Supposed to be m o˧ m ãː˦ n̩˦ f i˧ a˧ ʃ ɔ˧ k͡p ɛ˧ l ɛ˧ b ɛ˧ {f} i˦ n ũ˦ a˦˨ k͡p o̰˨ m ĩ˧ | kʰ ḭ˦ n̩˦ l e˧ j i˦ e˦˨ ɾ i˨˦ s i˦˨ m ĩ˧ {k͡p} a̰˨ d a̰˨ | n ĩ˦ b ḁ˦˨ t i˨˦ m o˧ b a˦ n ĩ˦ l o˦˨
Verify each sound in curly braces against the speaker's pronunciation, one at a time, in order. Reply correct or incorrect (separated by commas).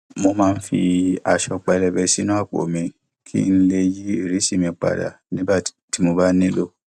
incorrect, correct